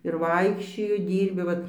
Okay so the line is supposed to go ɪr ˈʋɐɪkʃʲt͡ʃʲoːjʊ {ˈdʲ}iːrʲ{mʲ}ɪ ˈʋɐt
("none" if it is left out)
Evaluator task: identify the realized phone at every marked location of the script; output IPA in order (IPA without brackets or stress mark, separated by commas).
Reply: dʲ, bʲ